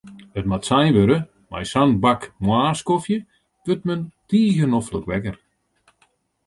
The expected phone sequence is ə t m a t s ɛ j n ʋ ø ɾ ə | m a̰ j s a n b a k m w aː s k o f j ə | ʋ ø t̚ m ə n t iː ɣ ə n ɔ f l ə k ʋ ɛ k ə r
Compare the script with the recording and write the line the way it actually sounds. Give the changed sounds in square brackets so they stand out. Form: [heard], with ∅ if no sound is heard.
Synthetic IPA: ə t m a t s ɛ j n ʋ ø ɾ ə | m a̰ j s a n b a k m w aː s k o f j ə | ʋ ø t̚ m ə n t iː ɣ ə n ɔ f l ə k ʋ ɛ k ə r